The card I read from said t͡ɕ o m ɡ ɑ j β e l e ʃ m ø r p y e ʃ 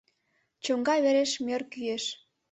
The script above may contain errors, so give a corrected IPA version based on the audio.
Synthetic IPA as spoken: t͡ɕ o ŋ ɡ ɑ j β e ɾ e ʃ m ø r k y e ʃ